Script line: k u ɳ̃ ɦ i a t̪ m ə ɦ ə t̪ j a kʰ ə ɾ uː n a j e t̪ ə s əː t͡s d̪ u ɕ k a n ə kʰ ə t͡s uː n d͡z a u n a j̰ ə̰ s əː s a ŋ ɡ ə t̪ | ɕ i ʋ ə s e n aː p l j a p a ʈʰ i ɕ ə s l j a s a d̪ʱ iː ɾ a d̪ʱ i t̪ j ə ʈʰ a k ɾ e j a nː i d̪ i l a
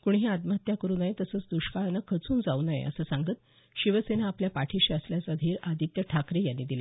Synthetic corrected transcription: k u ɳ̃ ɦ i a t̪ m ə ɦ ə t̪ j a k ə ɾ uː n a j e t̪ ə s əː t͡s d̪ u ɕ k a n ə kʰ ə t͡s uː n d͡z a u n a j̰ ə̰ s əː s a ŋ ɡ ə t̪ | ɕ i ʋ ə s e n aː p l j a p a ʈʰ i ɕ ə s l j a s a d̪ʱ iː ɾ a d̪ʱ i t̪ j ə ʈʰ a k ɾ e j a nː i d̪ i l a